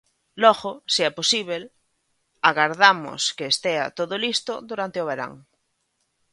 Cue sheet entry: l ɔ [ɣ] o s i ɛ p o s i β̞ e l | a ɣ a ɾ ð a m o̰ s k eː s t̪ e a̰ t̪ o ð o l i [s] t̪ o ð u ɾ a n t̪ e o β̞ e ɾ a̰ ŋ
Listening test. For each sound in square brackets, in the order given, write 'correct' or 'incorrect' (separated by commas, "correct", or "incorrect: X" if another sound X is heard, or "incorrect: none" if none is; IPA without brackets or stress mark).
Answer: correct, correct